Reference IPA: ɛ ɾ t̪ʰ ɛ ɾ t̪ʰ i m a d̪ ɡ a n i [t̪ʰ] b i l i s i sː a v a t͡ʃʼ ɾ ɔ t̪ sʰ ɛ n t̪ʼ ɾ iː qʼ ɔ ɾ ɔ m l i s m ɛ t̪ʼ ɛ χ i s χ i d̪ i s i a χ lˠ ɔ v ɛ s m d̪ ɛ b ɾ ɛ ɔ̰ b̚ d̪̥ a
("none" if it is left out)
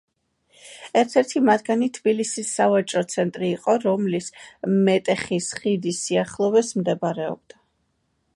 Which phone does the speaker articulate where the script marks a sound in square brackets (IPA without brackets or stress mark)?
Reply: t̪ʰ